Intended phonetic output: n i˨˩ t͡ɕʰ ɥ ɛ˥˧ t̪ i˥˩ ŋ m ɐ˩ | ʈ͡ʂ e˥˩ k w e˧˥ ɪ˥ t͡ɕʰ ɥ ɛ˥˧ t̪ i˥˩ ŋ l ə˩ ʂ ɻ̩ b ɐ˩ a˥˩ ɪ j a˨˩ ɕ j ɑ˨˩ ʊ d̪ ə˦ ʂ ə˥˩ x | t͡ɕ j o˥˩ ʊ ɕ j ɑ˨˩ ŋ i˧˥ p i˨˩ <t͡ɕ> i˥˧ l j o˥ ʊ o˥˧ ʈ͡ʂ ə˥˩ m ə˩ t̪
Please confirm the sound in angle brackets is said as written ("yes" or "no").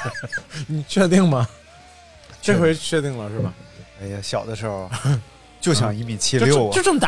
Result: no